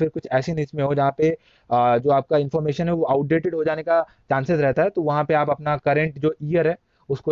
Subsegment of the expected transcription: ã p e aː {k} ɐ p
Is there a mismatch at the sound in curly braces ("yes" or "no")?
yes